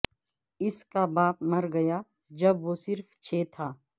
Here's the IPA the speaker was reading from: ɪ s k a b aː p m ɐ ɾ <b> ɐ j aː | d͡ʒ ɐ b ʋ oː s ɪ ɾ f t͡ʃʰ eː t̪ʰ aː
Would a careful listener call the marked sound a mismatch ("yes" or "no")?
yes